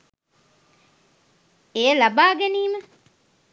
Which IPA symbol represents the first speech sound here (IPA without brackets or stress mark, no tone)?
e